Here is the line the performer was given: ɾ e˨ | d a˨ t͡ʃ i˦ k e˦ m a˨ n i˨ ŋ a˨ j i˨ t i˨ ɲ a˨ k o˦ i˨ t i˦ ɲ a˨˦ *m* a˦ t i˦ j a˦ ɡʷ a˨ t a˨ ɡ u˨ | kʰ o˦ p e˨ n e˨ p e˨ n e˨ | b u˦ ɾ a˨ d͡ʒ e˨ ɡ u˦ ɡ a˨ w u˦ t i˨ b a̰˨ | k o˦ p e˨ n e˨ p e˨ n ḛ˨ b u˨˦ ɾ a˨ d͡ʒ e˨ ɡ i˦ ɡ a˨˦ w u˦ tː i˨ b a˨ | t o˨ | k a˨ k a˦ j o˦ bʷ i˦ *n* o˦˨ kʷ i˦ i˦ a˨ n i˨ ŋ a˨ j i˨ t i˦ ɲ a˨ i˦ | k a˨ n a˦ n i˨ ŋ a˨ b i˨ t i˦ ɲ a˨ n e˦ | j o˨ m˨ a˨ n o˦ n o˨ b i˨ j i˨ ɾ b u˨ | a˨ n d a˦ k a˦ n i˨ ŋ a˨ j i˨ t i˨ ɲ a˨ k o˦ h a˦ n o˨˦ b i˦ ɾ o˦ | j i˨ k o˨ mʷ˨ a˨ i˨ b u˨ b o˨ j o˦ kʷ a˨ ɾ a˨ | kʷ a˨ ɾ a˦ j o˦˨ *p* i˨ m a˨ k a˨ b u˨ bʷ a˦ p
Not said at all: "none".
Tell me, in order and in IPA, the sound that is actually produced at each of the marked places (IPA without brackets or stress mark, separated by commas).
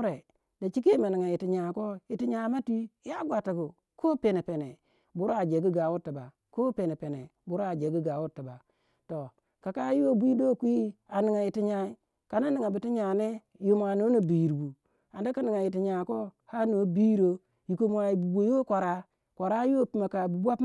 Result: m, d, p